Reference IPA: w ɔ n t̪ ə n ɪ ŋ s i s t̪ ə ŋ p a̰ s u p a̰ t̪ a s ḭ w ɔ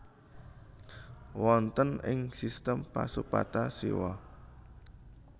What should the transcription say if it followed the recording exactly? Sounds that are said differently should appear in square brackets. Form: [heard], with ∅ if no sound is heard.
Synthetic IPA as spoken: w ɔ n t̪ ə n ɪ ŋ s i s t̪ ə [m] p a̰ s u p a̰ t̪ a s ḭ w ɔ